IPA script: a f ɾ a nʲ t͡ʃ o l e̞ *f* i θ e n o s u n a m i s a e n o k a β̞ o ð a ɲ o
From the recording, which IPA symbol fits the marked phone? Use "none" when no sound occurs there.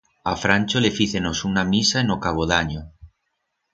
f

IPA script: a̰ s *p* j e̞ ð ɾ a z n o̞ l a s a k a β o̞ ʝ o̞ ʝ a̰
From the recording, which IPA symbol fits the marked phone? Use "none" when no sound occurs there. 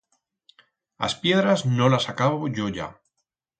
p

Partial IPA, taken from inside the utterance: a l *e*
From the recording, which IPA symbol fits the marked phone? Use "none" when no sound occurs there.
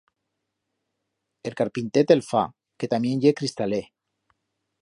e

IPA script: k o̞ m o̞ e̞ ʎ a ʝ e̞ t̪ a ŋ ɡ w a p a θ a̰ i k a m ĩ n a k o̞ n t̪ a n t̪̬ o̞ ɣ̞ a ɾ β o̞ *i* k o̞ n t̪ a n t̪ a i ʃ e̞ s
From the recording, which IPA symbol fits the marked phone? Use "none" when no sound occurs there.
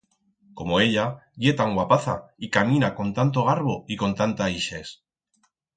i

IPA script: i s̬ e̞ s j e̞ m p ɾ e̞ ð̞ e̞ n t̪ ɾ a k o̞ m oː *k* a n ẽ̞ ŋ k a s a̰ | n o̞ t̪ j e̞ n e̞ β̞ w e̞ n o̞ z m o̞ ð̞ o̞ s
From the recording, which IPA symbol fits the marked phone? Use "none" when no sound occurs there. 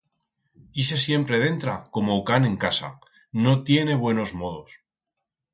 k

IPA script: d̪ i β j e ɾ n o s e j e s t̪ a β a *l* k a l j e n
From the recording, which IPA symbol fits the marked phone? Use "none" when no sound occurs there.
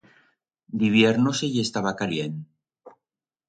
none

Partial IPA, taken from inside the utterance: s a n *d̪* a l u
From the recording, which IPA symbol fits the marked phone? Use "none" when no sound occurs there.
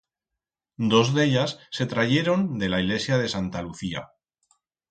t̪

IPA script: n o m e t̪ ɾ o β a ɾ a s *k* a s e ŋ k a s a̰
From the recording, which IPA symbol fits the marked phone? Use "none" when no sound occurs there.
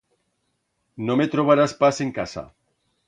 p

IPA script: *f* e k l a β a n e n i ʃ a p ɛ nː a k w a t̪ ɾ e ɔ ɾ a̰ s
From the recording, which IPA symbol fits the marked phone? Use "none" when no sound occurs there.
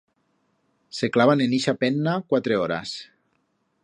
s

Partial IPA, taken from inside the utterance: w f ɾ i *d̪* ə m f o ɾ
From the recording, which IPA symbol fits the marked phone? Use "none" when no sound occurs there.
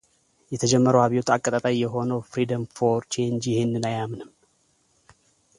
d̪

